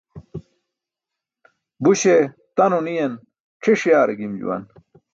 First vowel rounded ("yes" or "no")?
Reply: yes